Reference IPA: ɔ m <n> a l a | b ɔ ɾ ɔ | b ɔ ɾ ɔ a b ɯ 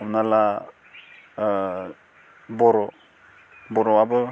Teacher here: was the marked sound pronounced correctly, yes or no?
yes